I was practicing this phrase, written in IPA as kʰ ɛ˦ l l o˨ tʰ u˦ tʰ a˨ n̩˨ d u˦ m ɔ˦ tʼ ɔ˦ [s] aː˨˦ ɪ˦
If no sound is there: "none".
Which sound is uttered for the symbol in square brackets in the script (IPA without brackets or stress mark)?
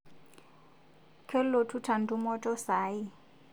s